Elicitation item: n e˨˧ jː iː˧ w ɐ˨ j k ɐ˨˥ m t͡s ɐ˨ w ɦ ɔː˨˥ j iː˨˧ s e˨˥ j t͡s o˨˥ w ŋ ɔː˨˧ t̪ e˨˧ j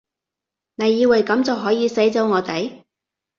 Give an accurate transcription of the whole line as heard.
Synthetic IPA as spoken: n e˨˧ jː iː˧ w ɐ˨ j k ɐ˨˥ m t͡s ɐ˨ w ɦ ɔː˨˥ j iː˨˧ s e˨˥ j t͡s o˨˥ w ŋ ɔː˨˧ t̪ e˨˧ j